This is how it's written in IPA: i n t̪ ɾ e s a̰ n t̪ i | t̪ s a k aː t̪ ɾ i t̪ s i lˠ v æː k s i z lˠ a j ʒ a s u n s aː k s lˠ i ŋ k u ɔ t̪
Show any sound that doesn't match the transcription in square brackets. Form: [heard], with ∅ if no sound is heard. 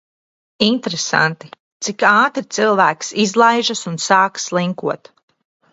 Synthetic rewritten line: i n t̪ ɾ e s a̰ n t̪ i | t̪ s [i] k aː t̪ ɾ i t̪ s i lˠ v æː k s i z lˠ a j ʒ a s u n s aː k s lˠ i ŋ k u ɔ t̪